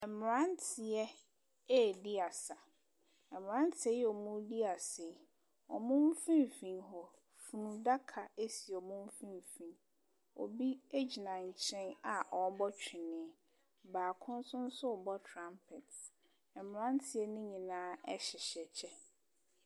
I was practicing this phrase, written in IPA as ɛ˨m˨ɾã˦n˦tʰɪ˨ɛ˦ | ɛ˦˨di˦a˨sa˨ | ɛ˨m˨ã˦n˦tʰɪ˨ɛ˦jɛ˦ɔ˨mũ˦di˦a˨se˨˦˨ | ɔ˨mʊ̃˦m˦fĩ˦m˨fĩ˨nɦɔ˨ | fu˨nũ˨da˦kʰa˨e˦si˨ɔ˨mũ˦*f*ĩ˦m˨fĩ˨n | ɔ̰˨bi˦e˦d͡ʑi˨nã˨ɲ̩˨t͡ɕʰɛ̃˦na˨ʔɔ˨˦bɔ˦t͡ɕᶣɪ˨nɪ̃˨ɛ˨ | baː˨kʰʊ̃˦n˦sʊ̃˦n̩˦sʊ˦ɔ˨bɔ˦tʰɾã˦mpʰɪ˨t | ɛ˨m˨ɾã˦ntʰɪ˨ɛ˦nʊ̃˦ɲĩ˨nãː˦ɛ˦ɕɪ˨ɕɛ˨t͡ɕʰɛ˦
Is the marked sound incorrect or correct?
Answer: correct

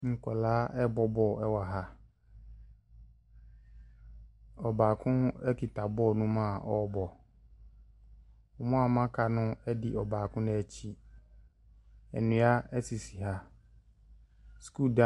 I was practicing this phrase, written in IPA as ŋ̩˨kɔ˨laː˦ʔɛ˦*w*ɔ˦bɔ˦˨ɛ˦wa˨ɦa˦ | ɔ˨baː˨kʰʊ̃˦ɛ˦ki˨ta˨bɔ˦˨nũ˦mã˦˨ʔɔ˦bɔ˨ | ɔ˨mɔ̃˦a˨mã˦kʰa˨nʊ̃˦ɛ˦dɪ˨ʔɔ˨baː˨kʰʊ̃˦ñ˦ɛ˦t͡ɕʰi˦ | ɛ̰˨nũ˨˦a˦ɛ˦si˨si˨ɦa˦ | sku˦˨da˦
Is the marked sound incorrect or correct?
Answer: incorrect: b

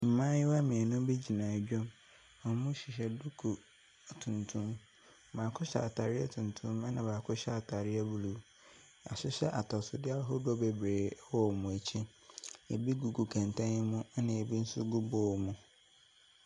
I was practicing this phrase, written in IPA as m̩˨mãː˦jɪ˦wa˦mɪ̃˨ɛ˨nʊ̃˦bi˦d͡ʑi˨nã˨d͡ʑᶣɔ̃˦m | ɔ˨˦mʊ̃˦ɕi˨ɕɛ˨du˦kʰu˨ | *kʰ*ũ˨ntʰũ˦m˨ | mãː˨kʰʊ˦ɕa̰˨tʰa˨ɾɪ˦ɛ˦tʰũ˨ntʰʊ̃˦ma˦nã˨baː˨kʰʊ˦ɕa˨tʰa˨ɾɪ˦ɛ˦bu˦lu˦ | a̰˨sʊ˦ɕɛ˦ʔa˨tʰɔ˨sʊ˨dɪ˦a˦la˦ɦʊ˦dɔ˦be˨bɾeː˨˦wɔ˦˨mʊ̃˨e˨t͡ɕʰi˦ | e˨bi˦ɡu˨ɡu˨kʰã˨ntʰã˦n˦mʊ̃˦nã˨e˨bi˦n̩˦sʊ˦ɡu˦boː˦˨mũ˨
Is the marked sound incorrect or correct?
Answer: incorrect: tʰ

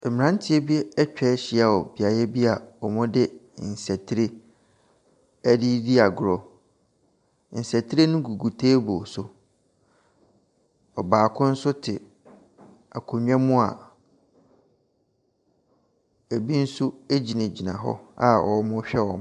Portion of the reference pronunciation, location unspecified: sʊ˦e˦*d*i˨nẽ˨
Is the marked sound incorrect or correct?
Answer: incorrect: d͡ʑ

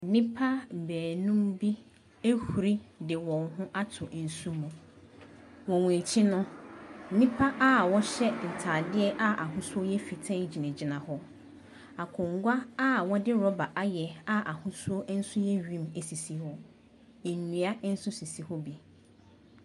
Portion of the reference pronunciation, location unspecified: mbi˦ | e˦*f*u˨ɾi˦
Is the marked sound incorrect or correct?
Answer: incorrect: h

